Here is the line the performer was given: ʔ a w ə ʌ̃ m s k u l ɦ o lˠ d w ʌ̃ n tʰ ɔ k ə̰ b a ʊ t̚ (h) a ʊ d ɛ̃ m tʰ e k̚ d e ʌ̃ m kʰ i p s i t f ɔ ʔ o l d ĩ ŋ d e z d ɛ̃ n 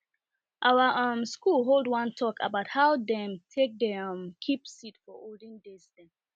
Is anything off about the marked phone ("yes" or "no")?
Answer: no